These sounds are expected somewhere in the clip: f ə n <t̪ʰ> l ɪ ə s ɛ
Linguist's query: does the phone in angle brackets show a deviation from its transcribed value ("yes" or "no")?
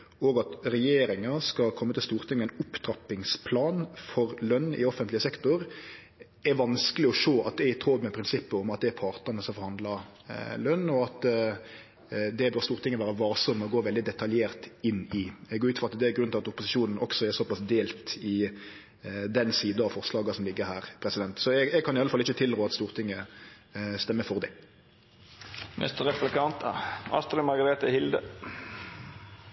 yes